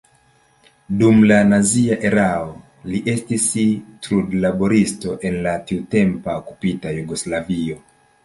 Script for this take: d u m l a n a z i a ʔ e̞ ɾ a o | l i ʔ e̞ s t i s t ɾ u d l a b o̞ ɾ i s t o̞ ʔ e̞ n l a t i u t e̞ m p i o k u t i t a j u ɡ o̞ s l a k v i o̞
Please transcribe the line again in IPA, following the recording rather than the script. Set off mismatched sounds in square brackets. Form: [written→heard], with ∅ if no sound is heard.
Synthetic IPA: d u m l a n a z i a ʔ e̞ ɾ a o | l i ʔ e̞ s t i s t ɾ u d l a b o̞ ɾ i s t o̞ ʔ e̞ n l a t i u t e̞ m p [i→a] o k u [t→p] i t a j u ɡ o̞ s l a [k→∅] v i o̞